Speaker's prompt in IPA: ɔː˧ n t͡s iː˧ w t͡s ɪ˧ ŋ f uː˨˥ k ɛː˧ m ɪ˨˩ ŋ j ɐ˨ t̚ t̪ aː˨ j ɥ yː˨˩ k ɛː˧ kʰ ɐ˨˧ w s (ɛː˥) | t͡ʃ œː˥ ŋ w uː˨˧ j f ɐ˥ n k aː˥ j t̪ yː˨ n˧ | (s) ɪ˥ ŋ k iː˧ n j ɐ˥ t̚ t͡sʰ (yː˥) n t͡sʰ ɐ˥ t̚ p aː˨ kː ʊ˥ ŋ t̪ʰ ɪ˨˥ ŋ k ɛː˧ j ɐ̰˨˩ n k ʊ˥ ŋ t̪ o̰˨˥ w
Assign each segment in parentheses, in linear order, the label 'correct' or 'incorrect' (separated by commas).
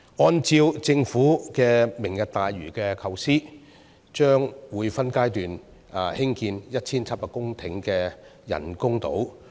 incorrect, incorrect, incorrect